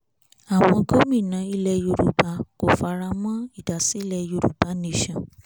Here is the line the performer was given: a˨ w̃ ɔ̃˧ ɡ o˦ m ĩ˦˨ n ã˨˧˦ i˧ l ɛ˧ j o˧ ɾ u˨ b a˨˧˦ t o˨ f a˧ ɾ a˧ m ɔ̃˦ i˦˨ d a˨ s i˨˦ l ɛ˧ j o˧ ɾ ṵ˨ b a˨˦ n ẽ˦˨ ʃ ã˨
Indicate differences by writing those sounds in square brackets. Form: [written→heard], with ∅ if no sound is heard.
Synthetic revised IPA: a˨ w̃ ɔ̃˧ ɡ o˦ m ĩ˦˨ n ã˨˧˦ i˧ l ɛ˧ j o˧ ɾ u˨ b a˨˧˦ [t→k] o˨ f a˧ ɾ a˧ m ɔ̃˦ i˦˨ d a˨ s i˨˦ l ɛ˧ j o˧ ɾ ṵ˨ b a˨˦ n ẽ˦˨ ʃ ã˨